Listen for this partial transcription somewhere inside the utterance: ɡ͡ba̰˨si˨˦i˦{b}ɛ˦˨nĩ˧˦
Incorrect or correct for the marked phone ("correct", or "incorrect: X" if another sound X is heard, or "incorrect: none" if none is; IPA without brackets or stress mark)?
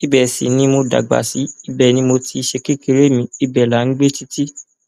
correct